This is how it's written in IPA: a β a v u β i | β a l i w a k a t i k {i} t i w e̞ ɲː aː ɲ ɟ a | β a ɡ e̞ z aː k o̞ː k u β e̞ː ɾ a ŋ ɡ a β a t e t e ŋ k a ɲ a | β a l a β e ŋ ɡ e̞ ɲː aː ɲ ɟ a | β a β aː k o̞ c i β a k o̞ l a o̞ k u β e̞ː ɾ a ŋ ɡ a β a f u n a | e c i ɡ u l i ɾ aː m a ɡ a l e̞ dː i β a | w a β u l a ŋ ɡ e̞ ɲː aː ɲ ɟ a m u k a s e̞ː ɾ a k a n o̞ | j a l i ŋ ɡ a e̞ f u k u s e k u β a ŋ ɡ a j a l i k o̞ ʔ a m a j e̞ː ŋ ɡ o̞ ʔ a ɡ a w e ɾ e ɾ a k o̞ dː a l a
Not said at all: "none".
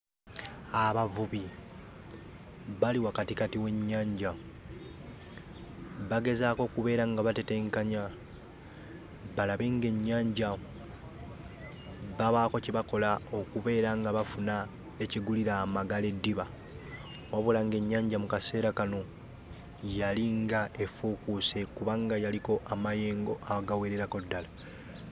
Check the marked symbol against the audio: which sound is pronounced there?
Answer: a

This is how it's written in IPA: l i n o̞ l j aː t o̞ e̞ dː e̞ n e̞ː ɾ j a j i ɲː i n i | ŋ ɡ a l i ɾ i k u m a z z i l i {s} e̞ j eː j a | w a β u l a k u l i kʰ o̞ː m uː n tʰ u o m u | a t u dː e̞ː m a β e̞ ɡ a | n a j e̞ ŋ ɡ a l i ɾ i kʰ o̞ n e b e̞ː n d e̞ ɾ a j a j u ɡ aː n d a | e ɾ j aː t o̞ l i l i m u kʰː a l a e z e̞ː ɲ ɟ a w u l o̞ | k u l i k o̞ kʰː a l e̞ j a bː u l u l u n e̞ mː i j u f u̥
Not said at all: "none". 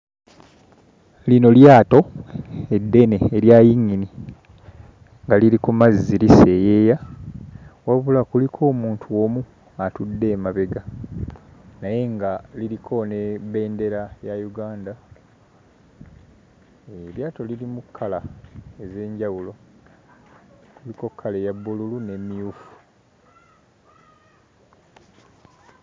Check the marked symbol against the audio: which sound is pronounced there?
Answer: s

